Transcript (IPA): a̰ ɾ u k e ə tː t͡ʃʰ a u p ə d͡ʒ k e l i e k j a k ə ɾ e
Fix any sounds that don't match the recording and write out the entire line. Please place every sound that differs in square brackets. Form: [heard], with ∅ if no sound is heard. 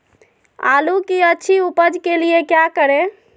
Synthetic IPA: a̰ [l] u k [i] ə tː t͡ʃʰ [i] u p ə d͡ʒ k e l i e k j a k ə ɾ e